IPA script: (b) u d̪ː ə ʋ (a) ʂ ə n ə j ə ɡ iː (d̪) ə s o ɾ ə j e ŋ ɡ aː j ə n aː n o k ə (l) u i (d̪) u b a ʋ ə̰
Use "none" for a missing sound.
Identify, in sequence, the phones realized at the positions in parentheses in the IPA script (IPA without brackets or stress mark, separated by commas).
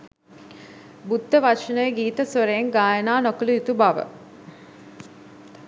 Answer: b, a, t̪, l, t̪